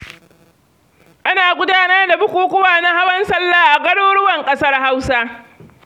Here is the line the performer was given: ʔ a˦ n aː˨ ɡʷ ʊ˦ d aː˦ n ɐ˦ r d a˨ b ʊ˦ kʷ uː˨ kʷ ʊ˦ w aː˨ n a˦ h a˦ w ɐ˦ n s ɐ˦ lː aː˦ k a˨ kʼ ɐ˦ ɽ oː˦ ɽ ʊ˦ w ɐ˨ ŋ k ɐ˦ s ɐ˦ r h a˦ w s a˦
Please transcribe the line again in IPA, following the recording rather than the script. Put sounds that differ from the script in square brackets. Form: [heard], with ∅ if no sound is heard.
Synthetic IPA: ʔ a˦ n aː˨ ɡʷ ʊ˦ d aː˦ n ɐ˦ r d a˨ b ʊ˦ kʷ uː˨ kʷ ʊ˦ w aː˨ n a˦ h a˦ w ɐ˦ n s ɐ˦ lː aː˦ [ʔ] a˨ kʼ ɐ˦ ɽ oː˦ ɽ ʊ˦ w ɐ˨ ŋ [kʼ] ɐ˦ s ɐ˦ r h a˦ w s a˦

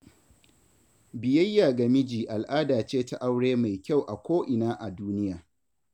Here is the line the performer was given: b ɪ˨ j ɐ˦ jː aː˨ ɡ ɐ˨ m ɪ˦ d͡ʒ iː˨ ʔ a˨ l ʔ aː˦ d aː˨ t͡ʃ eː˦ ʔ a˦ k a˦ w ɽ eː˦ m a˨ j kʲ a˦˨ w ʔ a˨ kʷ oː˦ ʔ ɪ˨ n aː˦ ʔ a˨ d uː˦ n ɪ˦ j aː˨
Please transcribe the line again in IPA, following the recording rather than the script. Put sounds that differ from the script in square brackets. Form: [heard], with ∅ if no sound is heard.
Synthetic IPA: b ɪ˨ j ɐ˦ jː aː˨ ɡ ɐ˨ m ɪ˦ d͡ʒ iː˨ ʔ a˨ l ʔ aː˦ d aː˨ t͡ʃ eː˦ [t] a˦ [ʔ] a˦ w ɽ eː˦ m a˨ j kʲ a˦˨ w ʔ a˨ kʷ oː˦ ʔ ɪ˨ n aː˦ ʔ a˨ d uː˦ n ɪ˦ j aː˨

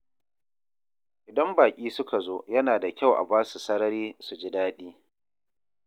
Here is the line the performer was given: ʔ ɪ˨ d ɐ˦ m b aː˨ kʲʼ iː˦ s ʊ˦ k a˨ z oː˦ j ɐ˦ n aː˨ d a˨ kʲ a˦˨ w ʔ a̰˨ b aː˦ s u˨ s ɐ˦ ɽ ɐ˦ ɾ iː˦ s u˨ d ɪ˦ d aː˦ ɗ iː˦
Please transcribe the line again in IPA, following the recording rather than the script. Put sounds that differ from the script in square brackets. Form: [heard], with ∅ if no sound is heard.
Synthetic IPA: ʔ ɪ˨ d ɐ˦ m b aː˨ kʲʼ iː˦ s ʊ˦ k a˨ z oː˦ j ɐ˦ n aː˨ d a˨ kʲ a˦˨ w ʔ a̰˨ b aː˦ s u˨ s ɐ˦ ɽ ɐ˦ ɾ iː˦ s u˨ [d͡ʒ] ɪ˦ d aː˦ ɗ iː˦

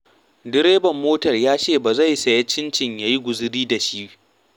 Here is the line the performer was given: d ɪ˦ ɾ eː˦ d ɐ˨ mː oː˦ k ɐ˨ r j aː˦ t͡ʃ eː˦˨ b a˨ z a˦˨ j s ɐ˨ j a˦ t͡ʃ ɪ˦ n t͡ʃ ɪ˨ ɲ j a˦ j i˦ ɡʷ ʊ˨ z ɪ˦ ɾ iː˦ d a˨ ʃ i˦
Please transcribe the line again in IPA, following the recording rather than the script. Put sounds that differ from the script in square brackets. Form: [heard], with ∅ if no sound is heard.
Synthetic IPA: d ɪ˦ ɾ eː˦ [b] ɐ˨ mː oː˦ [t] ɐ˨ r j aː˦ t͡ʃ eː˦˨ b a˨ z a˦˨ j s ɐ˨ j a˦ t͡ʃ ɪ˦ n t͡ʃ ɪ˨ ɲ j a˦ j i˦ ɡʷ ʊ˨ z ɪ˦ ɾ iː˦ d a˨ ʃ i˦

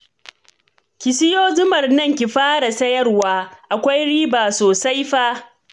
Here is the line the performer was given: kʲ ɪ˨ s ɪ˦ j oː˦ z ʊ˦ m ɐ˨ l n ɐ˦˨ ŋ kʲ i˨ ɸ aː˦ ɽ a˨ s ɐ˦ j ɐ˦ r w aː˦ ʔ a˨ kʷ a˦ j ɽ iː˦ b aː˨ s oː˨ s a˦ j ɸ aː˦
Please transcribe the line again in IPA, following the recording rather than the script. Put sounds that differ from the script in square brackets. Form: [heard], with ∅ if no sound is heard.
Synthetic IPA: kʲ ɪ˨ s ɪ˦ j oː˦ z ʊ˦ m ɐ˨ [r] n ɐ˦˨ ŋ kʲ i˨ ɸ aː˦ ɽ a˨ s ɐ˦ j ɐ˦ r w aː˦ ʔ a˨ kʷ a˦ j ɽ iː˦ b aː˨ s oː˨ s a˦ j ɸ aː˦

